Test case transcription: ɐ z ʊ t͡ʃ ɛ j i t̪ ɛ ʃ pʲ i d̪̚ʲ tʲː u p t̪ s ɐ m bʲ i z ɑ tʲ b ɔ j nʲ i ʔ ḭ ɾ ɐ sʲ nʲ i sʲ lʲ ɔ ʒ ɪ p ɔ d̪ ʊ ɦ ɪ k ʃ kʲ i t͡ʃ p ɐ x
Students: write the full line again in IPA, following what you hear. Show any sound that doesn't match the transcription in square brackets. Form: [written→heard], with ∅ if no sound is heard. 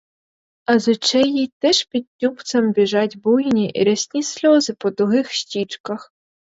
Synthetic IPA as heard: ɐ z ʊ t͡ʃ ɛ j i t̪ ɛ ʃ pʲ i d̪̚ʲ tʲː u p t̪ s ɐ m bʲ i [z→ʒ] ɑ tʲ b [ɔ→u] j nʲ i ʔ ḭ ɾ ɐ sʲ nʲ i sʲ lʲ ɔ [ʒ→z] ɪ p ɔ d̪ ʊ ɦ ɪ [k→x] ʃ [kʲ→tʲ] i t͡ʃ [p→k] ɐ x